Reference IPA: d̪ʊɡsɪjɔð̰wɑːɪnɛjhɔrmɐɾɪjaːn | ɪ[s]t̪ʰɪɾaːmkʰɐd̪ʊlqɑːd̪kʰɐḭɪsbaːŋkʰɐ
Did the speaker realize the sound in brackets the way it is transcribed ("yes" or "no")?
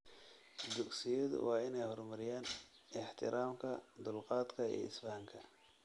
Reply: no